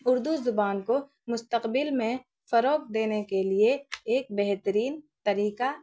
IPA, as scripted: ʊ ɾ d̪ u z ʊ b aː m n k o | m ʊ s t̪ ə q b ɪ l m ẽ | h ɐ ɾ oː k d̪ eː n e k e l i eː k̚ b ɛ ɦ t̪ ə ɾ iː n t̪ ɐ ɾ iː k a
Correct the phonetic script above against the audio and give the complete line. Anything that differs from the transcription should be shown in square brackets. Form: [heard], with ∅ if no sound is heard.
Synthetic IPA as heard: ʊ ɾ d̪ u z ʊ b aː [∅] n k o | m ʊ s t̪ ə q b ɪ l m ẽ | [f] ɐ ɾ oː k d̪ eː n e k e l i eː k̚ b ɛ ɦ t̪ ə ɾ iː n t̪ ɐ ɾ iː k a